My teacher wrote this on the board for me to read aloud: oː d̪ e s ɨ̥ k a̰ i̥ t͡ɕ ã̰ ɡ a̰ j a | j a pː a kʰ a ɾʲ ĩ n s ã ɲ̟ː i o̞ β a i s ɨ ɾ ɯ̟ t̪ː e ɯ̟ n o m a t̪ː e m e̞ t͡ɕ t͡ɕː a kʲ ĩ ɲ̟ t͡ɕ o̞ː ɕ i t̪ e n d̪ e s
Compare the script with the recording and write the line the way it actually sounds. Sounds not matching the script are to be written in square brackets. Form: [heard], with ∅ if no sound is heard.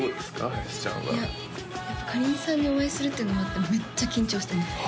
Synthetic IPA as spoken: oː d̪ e s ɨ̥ k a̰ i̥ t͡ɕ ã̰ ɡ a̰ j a | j a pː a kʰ a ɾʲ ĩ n s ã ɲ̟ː i o̞ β a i s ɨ ɾ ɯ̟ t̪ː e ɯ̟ n o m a t̪ː e m e̞ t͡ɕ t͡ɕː a kʲ ĩ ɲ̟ t͡ɕ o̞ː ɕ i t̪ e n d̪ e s

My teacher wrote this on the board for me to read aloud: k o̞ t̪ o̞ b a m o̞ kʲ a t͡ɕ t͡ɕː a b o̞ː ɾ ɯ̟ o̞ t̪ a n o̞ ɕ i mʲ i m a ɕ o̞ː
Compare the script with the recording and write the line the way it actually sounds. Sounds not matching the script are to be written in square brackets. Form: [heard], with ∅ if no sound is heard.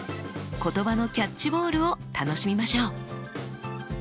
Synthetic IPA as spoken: k o̞ t̪ o̞ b a [n] o̞ kʲ a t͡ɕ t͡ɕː [i] b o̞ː ɾ ɯ̟ o̞ t̪ a n o̞ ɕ i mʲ i m a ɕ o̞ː

